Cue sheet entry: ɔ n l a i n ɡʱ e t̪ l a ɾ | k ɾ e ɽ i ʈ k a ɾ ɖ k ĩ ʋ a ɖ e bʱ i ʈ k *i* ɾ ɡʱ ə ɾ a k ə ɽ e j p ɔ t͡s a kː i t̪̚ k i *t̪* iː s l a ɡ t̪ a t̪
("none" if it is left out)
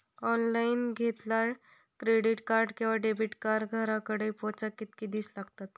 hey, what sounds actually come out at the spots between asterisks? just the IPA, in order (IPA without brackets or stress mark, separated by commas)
a, d̪